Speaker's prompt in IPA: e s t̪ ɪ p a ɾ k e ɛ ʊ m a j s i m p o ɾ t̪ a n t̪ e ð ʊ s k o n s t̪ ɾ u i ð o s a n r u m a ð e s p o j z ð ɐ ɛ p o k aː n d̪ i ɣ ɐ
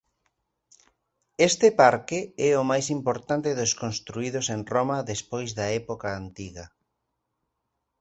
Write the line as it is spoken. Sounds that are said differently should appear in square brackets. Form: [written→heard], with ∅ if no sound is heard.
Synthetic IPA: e s t̪ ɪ p a ɾ k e ɛ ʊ m a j s i m p o ɾ t̪ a n t̪ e ð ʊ s k o n s t̪ ɾ u i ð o s [a→e] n r [u→o] m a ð e s p o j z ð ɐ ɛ p o k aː n [d̪→t̪] i ɣ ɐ